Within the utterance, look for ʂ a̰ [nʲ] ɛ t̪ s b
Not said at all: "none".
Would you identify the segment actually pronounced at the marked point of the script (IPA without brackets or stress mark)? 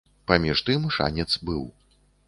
nʲ